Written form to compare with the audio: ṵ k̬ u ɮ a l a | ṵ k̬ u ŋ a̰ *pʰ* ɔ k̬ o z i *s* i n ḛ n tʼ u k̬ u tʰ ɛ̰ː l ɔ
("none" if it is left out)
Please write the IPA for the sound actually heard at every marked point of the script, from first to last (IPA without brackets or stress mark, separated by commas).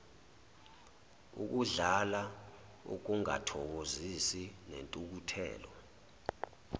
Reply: tʰ, s